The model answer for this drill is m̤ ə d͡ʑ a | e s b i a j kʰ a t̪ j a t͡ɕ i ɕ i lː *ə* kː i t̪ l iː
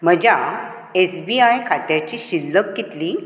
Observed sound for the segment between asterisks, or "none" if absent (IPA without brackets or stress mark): ə